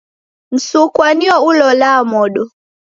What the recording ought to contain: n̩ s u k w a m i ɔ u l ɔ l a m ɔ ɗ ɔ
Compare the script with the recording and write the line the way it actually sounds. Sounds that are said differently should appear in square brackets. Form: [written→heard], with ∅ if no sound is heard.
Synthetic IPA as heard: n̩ s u k w a [m→n] i ɔ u l ɔ l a m ɔ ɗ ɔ